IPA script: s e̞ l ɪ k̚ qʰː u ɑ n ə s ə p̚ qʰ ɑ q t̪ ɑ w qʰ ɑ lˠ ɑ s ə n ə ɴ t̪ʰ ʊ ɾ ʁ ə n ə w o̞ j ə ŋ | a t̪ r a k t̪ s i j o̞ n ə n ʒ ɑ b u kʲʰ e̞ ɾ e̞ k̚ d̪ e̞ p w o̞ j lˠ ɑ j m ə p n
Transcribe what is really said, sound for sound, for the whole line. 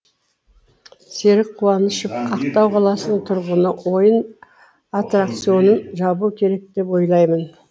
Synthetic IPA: s e̞ ɾ ɪ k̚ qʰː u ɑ n ə ʃ ə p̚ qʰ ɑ q t̪ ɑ w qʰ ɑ lˠ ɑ s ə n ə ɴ t̪ʰ ʊ ɾ ʁ ə n ə w o̞ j ə n | a t̪ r a k t̪ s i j o̞ n ə n ʒ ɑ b u kʲʰ e̞ ɾ e̞ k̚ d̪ e̞ p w o̞ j lˠ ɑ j m ə n